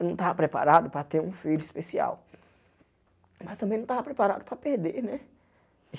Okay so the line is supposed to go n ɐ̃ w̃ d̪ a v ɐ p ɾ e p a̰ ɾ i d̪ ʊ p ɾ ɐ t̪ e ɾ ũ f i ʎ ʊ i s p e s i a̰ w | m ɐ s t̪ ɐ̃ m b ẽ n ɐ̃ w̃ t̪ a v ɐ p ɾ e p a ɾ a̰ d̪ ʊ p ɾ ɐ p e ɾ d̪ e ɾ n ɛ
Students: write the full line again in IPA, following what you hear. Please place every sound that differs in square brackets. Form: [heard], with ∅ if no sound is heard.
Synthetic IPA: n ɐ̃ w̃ [t̪] a v ɐ p ɾ e p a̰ ɾ [a] d̪ ʊ p ɾ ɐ t̪ e ɾ ũ f i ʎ ʊ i s p e s i a̰ w | m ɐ s t̪ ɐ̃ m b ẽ n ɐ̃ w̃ t̪ a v ɐ p ɾ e p a ɾ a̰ d̪ ʊ p ɾ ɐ p e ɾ d̪ e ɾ n ɛ